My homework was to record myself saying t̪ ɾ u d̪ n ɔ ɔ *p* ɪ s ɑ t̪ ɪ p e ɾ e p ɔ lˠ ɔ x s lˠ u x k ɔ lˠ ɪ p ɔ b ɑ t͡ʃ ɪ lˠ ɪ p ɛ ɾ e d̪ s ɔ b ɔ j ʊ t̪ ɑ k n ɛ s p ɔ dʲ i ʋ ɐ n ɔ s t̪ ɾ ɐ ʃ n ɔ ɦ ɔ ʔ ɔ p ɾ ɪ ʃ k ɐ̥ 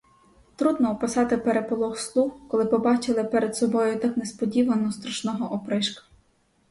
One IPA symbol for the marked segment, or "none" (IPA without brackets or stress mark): p